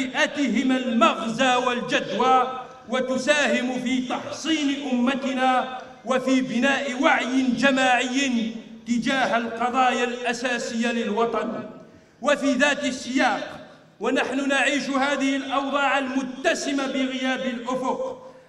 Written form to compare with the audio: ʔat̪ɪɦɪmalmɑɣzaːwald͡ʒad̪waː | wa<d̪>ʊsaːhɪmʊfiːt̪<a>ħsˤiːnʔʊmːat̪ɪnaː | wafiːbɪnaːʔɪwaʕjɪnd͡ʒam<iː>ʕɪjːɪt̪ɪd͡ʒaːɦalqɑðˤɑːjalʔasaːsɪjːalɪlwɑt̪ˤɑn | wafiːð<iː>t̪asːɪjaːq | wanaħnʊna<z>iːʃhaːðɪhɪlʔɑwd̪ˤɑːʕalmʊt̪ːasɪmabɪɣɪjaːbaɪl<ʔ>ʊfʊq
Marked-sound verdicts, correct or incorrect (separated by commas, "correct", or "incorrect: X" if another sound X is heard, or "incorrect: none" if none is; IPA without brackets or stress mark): incorrect: t̪, incorrect: ɑ, incorrect: aː, incorrect: aː, incorrect: ʕ, correct